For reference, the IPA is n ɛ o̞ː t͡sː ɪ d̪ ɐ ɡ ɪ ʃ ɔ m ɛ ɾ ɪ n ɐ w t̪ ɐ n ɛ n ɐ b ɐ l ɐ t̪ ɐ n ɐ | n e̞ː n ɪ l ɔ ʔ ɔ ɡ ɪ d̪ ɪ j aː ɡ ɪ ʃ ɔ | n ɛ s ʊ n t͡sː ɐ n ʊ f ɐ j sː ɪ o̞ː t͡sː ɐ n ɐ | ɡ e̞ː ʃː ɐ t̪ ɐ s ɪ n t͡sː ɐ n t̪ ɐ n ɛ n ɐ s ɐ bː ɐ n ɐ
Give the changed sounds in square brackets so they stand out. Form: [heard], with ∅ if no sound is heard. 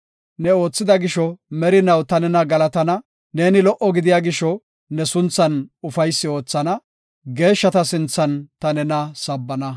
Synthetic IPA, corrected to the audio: n ɛ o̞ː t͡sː ɪ d̪ ɐ ɡ ɪ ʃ ɔ m ɛ ɾ ɪ n ɐ w t̪ ɐ n ɛ n ɐ [ɡ] ɐ l ɐ t̪ ɐ n ɐ | n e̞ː n ɪ l ɔ ʔ ɔ ɡ ɪ d̪ ɪ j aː ɡ ɪ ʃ ɔ | n ɛ s ʊ n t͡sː ɐ n ʊ f ɐ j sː ɪ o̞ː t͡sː ɐ n ɐ | ɡ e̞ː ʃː ɐ t̪ ɐ s ɪ n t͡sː ɐ n t̪ ɐ n ɛ n ɐ s ɐ bː ɐ n ɐ